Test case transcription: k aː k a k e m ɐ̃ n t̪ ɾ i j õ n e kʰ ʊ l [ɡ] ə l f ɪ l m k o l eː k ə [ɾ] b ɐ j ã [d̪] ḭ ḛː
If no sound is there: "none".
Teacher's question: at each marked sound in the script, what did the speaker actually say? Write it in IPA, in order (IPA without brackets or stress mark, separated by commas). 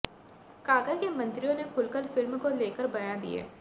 k, ɾ, d̪